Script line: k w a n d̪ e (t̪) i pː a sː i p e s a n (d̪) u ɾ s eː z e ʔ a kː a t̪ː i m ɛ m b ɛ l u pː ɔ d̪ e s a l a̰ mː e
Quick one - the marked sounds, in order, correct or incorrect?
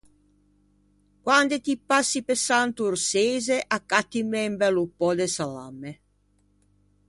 correct, incorrect: t̪

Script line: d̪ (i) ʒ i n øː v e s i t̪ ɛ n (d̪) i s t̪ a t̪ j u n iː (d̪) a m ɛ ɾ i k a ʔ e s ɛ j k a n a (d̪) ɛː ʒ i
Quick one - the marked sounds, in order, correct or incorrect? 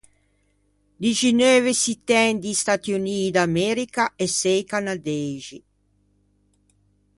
correct, correct, correct, correct

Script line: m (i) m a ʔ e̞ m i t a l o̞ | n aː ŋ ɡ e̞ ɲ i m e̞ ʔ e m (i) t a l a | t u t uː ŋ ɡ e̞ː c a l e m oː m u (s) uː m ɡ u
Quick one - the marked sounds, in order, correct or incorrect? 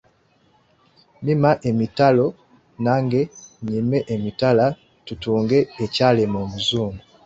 correct, correct, incorrect: z

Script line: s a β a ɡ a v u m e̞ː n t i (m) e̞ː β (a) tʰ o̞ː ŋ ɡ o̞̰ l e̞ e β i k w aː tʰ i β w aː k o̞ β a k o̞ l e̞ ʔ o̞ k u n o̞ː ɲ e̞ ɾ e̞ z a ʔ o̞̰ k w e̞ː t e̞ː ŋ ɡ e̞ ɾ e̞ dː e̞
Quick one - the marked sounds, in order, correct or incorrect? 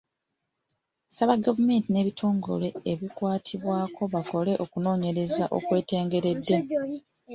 incorrect: n, incorrect: i

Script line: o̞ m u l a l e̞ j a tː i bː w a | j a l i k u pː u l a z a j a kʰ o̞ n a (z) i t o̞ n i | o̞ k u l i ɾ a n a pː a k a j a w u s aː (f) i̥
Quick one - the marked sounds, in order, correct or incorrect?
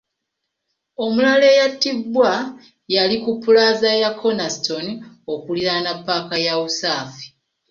incorrect: s, correct

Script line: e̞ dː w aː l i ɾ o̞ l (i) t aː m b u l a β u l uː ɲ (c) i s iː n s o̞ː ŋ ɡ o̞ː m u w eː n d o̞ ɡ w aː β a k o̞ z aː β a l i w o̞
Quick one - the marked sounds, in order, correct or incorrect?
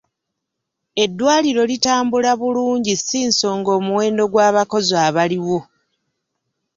correct, incorrect: ɟ

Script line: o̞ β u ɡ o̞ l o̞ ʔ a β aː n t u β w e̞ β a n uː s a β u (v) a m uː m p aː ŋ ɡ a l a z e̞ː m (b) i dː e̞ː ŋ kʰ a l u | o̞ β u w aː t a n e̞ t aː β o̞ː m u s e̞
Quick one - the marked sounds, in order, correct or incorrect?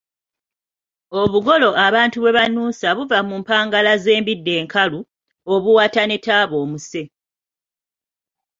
correct, correct

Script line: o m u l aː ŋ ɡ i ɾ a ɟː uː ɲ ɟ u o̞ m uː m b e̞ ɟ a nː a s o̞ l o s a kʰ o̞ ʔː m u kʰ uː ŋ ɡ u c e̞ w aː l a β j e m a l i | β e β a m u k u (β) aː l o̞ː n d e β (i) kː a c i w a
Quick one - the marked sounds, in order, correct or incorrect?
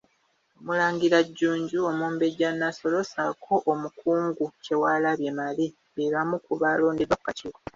correct, incorrect: a

